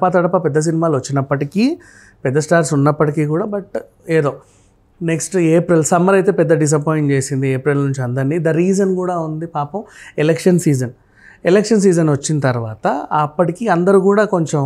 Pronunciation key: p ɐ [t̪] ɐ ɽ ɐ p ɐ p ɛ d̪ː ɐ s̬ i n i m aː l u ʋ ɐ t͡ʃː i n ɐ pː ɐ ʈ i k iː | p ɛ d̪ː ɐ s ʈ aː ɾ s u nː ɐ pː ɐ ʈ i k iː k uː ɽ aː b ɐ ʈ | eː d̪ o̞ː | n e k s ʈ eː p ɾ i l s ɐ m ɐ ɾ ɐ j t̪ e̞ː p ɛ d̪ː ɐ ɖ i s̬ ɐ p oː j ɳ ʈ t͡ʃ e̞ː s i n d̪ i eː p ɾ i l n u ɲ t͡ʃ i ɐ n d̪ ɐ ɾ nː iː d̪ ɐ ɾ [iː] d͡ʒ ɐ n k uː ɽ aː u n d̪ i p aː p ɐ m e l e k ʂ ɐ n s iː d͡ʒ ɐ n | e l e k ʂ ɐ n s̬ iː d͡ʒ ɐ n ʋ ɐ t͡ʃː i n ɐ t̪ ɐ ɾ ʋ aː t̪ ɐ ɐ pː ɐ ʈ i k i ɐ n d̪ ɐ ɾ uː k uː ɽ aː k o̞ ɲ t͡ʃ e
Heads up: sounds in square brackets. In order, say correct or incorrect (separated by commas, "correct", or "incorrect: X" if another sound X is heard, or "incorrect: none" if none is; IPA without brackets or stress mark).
correct, correct